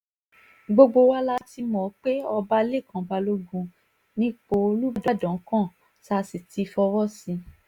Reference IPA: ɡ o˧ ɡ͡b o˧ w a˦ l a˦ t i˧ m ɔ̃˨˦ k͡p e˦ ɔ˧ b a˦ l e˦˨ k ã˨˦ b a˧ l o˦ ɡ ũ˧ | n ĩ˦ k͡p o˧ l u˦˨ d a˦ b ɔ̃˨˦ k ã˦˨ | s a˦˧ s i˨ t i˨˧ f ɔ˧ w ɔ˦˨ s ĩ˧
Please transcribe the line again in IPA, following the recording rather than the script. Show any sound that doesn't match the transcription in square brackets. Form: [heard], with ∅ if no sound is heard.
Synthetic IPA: [ɡ͡b] o˧ ɡ͡b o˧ w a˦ l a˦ t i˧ m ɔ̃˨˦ k͡p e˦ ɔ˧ b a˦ l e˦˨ k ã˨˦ b a˧ l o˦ ɡ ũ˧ | n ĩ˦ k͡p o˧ l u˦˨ d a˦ [d] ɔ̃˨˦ k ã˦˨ | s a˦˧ s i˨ t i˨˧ f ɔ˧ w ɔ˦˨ s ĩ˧